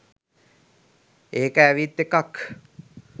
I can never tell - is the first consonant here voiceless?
yes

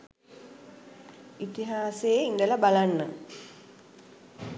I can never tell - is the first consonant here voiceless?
yes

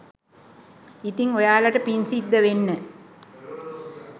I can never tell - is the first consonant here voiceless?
yes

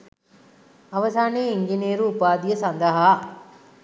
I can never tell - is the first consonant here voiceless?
no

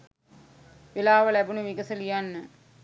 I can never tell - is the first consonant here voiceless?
no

